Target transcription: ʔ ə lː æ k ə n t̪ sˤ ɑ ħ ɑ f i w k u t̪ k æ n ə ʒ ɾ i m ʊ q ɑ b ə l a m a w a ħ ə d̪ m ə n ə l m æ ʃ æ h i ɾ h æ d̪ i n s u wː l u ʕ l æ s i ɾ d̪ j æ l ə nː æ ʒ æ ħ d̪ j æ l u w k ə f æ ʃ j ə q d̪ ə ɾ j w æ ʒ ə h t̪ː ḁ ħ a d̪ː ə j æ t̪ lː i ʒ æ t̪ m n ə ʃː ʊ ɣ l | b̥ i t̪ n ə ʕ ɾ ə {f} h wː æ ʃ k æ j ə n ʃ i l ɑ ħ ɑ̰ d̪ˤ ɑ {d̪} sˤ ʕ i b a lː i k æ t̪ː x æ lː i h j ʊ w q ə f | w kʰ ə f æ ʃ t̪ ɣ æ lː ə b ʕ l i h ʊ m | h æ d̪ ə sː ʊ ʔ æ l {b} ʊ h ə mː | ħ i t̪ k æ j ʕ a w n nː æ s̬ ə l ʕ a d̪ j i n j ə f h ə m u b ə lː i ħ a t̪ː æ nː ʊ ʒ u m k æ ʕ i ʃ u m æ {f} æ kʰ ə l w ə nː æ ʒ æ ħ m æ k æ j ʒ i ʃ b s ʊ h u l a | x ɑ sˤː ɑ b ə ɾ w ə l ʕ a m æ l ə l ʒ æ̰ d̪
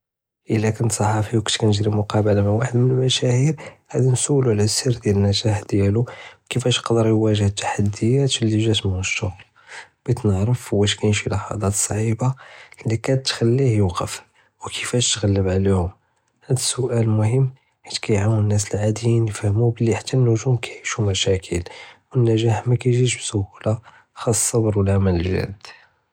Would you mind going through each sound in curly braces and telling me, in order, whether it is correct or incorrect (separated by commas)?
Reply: correct, incorrect, incorrect, incorrect